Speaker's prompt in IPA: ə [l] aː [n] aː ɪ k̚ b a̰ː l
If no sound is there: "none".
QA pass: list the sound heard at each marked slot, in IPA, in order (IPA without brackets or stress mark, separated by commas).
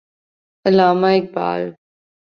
l, m